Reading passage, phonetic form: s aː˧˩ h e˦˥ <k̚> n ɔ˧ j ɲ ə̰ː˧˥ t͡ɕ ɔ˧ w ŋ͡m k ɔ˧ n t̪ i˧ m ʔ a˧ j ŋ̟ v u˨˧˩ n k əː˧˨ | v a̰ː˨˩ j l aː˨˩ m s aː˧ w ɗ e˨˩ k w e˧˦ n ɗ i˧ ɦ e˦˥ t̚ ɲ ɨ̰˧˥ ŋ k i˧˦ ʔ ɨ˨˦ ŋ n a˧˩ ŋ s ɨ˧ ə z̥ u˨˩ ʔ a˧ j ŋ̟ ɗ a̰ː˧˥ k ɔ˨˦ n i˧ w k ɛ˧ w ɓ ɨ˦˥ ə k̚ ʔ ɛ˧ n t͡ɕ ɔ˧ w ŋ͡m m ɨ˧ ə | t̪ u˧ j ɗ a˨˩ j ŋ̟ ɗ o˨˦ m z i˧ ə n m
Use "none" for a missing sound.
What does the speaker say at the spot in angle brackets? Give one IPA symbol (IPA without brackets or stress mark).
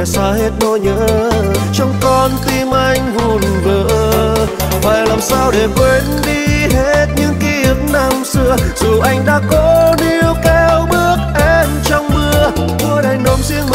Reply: t̚